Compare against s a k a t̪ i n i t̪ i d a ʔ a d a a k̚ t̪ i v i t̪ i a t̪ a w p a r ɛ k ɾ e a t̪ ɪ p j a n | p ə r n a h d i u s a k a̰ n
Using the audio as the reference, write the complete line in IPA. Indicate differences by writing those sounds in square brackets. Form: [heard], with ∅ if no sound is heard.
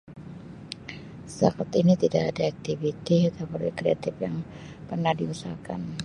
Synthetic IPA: s a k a t̪ i n i t̪ i d a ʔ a d a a k̚ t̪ i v i t̪ i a t̪ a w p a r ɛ k ɾ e a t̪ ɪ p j a [ŋ] | p ə r n a h d i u s a k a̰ n